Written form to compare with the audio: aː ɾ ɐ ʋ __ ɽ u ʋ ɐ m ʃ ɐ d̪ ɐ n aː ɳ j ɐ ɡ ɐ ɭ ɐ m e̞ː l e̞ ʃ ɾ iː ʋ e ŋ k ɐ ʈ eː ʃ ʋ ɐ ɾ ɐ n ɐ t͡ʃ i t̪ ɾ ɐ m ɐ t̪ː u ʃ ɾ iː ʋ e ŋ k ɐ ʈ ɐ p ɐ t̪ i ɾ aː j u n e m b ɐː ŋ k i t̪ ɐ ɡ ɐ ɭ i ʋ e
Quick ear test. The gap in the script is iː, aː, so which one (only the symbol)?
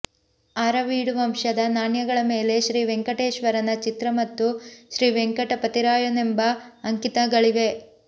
iː